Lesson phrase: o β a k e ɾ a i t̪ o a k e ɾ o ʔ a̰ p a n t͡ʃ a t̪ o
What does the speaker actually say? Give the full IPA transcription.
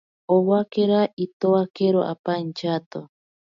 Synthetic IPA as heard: o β a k e ɾ a i t̪ o a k e ɾ o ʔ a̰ p a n t͡ʃ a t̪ o